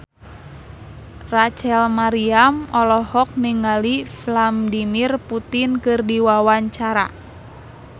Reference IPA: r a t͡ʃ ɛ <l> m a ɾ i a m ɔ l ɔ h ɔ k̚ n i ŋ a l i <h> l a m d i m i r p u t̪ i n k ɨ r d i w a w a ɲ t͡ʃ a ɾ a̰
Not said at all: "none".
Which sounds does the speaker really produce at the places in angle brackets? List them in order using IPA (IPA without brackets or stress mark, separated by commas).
l, f